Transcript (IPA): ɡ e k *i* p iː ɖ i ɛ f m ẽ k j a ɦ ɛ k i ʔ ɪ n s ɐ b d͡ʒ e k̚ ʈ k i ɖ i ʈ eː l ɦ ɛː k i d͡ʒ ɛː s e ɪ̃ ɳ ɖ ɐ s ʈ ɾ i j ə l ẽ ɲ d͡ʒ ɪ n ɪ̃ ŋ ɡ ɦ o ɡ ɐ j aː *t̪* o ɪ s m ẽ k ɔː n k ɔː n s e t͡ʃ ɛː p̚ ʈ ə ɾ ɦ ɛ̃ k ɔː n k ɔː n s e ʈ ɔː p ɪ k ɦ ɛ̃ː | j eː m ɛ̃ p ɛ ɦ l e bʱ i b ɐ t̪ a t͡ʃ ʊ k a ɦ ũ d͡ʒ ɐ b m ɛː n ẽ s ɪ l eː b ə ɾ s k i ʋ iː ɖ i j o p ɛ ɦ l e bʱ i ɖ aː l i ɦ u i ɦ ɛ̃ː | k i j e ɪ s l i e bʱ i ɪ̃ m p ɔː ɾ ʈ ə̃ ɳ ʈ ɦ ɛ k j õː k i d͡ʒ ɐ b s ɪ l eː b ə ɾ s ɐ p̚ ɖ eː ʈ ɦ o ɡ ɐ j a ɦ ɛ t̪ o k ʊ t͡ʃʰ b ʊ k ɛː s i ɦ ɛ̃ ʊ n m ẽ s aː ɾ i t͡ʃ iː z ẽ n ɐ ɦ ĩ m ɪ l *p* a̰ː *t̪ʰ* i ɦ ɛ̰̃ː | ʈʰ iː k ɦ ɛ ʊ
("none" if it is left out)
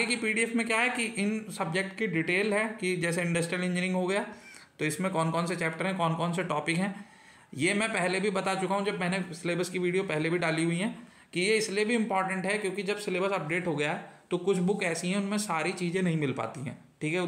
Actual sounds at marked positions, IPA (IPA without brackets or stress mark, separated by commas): i, t̪, p, t̪